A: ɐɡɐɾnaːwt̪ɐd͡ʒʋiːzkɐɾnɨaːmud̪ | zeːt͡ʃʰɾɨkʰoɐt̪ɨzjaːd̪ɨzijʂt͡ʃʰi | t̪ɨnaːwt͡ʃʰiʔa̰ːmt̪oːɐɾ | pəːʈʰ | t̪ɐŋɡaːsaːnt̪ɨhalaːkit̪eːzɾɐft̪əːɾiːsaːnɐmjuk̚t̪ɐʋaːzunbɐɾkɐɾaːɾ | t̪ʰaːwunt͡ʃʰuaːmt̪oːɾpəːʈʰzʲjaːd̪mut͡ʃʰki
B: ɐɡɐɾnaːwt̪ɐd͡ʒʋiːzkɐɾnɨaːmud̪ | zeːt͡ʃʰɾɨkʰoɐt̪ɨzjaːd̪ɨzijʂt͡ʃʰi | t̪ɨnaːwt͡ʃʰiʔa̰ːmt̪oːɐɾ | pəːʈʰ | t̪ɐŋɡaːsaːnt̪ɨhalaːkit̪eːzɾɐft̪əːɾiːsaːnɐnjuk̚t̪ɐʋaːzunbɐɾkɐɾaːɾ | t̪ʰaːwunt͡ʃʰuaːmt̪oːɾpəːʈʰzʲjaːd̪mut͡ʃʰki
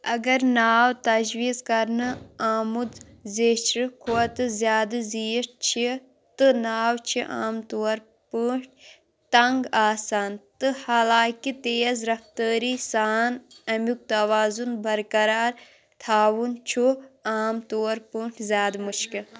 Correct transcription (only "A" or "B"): A